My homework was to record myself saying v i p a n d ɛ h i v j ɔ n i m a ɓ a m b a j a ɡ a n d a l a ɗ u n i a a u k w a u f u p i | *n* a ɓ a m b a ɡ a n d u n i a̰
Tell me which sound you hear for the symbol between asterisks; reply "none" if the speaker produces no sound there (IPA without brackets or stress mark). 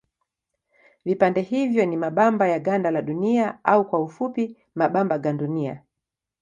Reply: m